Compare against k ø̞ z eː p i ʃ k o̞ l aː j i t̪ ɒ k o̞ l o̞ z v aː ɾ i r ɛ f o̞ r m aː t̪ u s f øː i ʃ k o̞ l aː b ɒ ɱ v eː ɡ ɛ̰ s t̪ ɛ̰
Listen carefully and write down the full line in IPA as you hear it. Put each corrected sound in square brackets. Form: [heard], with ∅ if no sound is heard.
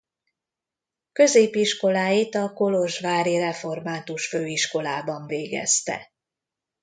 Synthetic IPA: k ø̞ z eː p i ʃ k o̞ l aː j i t̪ ɒ k o̞ l o̞ [ʒ] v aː ɾ i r ɛ f o̞ r m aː t̪ u [ʃ] f øː i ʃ k o̞ l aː b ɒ ɱ v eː ɡ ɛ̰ s t̪ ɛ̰